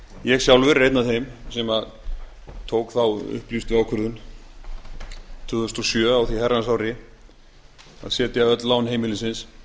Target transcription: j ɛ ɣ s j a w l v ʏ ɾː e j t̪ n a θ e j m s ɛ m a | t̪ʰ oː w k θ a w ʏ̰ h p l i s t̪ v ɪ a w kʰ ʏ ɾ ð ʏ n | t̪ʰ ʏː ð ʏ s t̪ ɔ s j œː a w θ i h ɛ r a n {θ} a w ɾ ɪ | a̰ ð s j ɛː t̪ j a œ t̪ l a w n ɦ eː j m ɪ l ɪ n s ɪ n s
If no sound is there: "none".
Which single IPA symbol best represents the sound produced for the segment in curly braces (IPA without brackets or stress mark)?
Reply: s